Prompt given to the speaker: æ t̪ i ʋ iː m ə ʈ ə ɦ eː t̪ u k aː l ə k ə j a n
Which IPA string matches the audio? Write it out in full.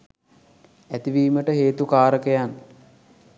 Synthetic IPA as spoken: æ t̪ i ʋ iː m ə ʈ ə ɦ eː t̪ u k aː ɾ ə k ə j a n